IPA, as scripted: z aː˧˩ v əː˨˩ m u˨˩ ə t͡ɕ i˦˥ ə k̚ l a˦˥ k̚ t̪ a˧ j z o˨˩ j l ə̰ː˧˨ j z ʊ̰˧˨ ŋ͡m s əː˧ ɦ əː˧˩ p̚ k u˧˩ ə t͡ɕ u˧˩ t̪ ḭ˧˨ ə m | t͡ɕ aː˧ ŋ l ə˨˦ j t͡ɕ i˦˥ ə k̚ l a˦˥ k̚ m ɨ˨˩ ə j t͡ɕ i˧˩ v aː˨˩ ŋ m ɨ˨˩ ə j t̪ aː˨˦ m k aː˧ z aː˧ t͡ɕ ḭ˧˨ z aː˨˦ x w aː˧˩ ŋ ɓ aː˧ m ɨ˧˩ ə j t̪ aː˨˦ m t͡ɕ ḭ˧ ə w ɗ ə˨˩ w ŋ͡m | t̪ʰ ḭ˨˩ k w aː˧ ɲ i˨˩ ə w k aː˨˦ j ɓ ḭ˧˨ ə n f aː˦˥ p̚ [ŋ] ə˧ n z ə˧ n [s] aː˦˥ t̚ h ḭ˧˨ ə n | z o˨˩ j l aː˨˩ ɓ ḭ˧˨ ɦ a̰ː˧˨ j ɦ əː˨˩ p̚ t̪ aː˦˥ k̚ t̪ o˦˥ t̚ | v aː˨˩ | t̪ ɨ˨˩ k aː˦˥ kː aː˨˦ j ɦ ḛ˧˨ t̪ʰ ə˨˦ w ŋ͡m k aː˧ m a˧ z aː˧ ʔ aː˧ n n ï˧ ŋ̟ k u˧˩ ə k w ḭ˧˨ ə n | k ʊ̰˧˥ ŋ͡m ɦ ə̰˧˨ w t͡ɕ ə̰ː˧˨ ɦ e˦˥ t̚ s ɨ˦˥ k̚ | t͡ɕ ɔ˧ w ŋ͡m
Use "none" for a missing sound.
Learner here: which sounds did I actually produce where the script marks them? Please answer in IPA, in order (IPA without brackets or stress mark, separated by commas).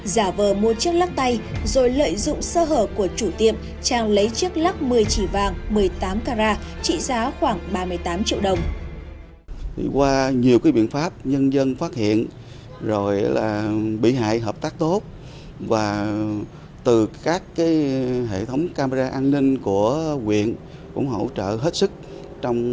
ɲ, f